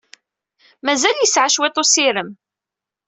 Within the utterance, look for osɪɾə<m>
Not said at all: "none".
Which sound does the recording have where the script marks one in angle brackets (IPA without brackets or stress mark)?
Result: m